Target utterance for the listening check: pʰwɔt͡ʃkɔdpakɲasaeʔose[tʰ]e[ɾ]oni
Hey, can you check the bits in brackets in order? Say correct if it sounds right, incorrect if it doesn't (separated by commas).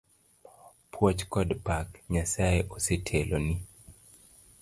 correct, incorrect